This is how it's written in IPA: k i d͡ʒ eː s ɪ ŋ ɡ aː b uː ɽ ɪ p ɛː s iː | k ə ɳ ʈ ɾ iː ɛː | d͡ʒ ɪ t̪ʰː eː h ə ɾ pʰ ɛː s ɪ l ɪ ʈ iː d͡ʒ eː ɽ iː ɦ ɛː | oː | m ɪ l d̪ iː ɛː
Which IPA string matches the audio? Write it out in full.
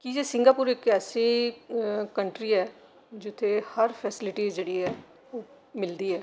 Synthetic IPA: k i d͡ʒ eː s ɪ ŋ ɡ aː p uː ɾ ɪ k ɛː s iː | k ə ɳ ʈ ɾ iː ɛː | d͡ʒ ɪ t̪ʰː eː h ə ɾ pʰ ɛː s ɪ l ɪ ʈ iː d͡ʒ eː ɽ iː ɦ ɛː | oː | m ɪ l d̪ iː ɛː